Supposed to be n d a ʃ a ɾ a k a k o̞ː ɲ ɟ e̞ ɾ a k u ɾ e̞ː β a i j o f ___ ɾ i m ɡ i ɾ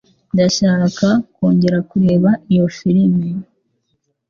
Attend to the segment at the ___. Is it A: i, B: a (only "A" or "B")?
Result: A